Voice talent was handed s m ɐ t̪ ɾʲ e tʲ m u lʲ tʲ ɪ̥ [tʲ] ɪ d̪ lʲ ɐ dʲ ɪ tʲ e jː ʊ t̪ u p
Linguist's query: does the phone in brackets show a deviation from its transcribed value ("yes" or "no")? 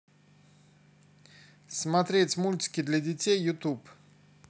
yes